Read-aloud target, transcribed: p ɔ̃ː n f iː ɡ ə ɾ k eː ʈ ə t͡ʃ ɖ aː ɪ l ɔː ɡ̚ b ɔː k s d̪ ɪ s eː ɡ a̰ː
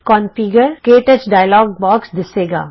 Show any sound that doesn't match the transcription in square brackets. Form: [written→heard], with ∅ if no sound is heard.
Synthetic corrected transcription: [p→k] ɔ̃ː n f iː ɡ ə ɾ k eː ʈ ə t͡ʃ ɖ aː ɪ l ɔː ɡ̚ b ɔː k s d̪ ɪ s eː ɡ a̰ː